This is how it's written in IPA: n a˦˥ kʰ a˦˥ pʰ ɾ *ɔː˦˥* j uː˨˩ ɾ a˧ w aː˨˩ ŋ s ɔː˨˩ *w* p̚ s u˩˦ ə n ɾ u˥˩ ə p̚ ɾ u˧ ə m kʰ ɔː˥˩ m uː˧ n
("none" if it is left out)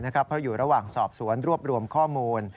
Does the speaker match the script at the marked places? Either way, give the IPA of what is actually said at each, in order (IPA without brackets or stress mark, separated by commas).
ɔ˦˥, none